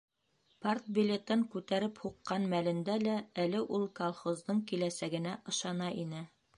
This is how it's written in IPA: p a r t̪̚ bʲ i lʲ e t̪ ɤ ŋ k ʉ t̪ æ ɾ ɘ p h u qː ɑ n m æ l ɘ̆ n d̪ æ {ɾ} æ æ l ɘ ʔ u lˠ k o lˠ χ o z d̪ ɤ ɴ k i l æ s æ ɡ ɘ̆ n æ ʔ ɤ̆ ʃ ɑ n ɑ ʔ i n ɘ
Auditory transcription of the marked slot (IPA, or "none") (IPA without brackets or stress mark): l